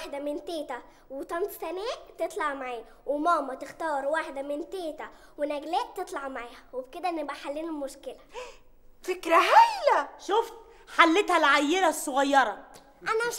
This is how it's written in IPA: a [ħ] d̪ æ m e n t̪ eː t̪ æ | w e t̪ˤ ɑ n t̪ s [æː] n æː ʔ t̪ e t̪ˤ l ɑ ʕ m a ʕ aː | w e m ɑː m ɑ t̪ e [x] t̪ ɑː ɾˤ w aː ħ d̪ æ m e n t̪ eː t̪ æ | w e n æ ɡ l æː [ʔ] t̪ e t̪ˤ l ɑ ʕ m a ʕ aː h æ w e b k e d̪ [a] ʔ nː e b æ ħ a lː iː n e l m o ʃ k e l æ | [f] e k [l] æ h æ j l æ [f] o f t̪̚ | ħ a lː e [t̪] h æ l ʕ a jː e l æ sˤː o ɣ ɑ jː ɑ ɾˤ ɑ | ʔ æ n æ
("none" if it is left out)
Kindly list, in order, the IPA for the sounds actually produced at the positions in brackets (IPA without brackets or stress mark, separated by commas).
ħ, æ, x, ʔ, æ, f, ɾ, ʃ, t̪